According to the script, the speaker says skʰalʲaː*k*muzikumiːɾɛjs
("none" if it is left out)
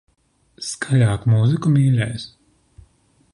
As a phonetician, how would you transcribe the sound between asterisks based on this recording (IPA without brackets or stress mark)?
k